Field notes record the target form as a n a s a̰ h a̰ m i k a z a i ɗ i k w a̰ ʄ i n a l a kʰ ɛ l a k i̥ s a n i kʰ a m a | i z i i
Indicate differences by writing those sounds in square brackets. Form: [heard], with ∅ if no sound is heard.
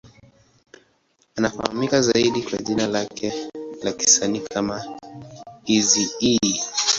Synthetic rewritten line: a n a [f] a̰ h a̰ m i k a z a i ɗ i k w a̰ ʄ i n a l a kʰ ɛ l a k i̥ s a n i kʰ a m a | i z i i